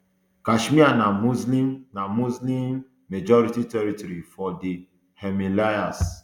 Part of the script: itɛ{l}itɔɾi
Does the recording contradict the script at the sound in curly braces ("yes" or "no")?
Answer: yes